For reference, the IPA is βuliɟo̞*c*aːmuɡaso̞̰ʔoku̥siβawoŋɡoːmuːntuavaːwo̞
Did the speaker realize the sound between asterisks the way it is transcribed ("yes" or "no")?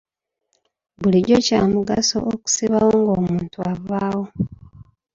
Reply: yes